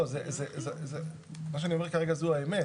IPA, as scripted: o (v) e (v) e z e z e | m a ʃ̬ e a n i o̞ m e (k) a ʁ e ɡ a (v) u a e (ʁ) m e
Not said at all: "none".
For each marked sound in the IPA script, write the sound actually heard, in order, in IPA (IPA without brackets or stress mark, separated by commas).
z, z, k, z, none